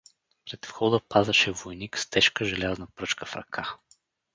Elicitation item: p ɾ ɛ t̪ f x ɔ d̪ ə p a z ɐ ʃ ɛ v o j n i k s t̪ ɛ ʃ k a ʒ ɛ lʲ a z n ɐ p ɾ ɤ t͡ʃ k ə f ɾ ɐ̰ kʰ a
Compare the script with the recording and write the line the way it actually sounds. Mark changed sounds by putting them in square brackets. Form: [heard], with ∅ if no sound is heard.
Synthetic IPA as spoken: p ɾ ɛ t̪ f x ɔ d̪ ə p a z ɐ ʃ ɛ v o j n i k s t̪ ɛ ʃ k [ə] ʒ ɛ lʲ a z n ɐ p ɾ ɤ t͡ʃ k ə f ɾ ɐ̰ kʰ a